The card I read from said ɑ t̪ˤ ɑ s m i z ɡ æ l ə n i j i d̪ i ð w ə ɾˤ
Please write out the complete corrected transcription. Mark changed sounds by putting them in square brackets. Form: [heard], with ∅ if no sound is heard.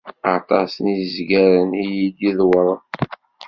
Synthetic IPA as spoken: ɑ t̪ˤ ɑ s [n] i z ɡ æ [ɾ] ə n i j i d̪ i ð w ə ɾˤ